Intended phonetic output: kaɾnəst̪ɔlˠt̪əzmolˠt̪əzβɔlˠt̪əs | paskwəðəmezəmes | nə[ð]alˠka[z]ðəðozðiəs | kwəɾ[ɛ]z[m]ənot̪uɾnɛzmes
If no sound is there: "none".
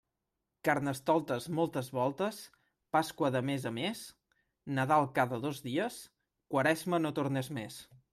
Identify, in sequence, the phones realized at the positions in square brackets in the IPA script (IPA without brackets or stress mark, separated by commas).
ð, none, ɛ, m